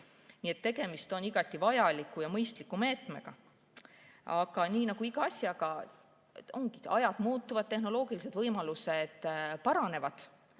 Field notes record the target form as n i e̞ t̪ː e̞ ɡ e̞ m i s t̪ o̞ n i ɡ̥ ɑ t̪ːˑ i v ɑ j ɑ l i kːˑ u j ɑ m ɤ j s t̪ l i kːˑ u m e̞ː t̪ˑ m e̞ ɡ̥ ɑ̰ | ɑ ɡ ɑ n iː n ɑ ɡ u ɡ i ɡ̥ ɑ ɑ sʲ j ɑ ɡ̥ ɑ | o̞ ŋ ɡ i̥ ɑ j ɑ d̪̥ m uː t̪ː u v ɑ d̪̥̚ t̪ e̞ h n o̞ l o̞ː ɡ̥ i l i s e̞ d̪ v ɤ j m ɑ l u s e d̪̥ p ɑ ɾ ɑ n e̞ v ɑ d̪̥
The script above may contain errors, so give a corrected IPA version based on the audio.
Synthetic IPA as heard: n i e̞ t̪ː e̞ ɡ e̞ m i s t̪ o̞ n i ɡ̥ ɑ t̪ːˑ i v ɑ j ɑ l i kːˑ u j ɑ m ɤ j s t̪ l i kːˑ u m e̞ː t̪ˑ m e̞ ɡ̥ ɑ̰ | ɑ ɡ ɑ n iː n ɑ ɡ u i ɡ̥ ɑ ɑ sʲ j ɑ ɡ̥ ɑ | o̞ ŋ ɡ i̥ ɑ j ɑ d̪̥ m uː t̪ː u v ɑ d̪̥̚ t̪ e̞ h n o̞ l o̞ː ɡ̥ i l i s e̞ d̪ v ɤ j m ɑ l u s e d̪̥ p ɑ ɾ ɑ n e̞ v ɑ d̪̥